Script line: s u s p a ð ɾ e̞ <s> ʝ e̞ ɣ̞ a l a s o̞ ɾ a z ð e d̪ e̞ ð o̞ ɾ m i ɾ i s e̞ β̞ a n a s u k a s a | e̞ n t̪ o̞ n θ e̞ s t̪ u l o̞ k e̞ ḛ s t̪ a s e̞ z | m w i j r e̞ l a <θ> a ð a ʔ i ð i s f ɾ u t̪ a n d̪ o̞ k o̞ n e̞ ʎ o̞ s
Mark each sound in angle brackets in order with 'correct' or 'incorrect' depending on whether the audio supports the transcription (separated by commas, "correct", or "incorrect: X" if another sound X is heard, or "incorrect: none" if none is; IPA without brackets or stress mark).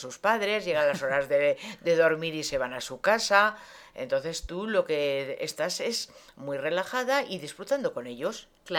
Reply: incorrect: z, incorrect: x